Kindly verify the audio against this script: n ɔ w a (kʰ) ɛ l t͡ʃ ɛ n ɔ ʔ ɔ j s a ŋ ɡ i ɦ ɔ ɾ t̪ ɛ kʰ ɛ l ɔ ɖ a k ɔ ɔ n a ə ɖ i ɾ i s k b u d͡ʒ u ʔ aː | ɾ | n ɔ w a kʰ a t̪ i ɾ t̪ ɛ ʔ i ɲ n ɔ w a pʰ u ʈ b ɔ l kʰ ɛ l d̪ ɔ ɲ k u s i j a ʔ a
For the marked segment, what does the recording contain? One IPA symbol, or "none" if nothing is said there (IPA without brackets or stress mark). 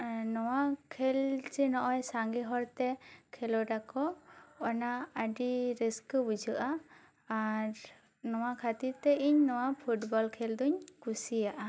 kʰ